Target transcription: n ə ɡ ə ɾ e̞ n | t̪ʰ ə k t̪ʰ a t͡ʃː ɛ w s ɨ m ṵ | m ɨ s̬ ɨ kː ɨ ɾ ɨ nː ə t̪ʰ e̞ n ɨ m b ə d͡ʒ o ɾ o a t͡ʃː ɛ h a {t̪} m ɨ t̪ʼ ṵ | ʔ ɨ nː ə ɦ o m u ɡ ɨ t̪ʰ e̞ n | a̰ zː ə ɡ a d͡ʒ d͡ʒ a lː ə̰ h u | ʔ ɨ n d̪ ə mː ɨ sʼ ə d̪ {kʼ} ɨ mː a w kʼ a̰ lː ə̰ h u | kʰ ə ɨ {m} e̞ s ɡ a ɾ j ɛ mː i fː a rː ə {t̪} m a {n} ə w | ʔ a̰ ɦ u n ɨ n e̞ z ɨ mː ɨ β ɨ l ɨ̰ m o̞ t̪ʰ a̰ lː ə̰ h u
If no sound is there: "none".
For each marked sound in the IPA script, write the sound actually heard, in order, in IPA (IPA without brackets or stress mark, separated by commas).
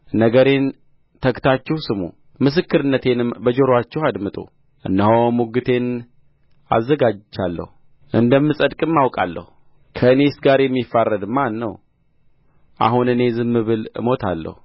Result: d̪, kʼ, n, d̪, nː